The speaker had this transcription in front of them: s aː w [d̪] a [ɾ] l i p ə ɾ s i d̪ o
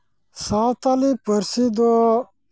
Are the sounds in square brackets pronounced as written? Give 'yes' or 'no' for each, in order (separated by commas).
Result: no, no